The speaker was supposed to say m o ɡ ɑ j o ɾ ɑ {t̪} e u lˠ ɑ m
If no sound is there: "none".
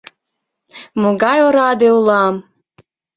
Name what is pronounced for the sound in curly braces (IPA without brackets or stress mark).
d̪